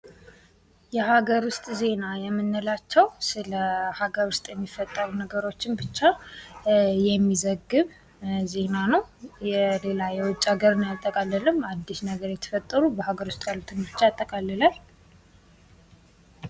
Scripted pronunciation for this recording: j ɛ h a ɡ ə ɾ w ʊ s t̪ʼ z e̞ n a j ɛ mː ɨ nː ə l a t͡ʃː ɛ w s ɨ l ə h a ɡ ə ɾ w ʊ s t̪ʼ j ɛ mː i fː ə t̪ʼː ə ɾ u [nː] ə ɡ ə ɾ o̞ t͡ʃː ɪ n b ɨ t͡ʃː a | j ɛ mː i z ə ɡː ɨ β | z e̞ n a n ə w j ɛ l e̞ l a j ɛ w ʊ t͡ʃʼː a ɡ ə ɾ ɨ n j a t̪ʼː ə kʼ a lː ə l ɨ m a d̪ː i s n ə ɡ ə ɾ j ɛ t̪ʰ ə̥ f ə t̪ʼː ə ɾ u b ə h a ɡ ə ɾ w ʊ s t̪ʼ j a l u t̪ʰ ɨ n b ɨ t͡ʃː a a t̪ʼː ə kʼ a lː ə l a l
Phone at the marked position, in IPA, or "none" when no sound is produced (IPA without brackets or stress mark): n